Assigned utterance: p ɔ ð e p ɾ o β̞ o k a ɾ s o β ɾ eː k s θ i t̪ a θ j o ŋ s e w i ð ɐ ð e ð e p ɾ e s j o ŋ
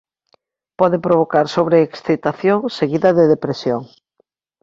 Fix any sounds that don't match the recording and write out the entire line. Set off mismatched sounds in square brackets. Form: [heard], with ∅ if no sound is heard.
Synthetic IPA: p ɔ ð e p ɾ o β̞ o k a ɾ s o β ɾ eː k s θ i t̪ a θ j o ŋ s e [ɣ] i ð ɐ ð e ð e p ɾ e s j o ŋ